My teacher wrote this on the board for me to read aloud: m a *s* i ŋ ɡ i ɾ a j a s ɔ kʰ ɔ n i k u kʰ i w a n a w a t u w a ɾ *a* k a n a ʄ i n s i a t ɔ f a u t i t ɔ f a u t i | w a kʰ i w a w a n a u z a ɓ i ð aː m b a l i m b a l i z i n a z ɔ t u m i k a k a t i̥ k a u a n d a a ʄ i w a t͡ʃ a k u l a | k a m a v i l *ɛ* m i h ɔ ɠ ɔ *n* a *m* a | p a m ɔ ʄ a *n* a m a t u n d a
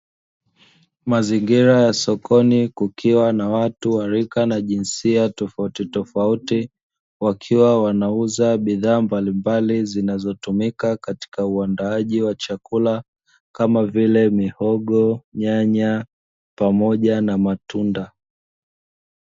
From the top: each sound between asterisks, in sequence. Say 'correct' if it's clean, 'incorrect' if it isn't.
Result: incorrect, incorrect, correct, incorrect, incorrect, correct

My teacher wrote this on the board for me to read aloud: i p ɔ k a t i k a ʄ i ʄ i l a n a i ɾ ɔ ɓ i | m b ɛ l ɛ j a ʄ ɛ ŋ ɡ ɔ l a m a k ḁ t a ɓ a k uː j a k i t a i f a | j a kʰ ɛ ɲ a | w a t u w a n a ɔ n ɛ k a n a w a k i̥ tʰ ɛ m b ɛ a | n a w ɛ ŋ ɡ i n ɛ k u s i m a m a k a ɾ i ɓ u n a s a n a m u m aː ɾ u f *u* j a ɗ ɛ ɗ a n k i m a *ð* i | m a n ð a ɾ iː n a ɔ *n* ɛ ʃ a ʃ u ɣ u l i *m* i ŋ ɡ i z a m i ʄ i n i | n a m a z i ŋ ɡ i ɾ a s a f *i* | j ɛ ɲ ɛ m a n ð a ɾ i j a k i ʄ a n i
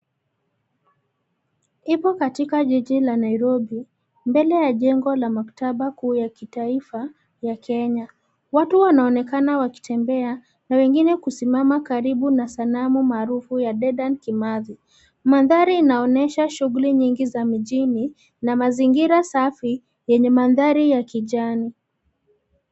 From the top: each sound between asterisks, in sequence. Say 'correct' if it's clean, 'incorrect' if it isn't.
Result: correct, correct, correct, incorrect, correct

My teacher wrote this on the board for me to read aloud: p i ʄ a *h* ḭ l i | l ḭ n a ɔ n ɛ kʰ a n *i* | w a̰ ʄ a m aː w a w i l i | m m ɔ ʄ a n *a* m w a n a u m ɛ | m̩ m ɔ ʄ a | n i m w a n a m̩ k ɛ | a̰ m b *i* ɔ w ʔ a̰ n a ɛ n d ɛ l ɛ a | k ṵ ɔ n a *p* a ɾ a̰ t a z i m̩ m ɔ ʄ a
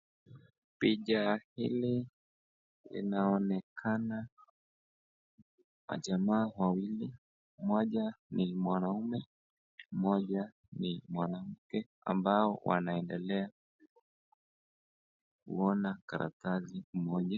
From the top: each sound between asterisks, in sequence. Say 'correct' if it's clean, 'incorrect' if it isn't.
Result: correct, incorrect, incorrect, incorrect, incorrect

